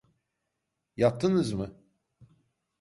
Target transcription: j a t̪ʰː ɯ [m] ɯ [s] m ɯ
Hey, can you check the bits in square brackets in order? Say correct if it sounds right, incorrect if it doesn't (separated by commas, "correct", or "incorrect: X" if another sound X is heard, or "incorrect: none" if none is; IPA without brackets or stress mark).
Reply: incorrect: n, incorrect: z